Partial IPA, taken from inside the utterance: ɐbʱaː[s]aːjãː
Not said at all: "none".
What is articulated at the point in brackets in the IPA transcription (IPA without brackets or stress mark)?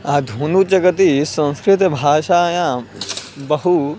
ʃ